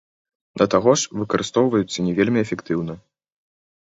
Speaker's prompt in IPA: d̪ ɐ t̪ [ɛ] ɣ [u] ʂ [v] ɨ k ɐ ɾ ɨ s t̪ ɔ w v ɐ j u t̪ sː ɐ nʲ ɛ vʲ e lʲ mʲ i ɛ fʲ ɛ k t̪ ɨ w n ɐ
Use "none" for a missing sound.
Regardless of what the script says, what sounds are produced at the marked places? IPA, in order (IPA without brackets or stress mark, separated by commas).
a, ɔ, v